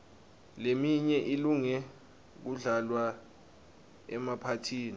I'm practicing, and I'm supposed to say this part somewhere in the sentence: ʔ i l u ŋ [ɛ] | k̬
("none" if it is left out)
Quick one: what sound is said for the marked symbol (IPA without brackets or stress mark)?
ɛ